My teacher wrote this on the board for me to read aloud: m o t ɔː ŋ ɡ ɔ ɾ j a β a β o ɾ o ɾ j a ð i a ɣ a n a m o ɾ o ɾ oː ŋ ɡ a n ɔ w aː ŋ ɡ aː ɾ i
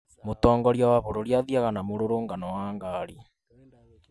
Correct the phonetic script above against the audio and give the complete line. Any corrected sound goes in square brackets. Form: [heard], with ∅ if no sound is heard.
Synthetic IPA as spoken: m o t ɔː ŋ ɡ ɔ ɾ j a [w] a β o ɾ o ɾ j a ð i a ɣ a n a m o ɾ o ɾ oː ŋ ɡ a n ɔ w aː ŋ ɡ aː ɾ i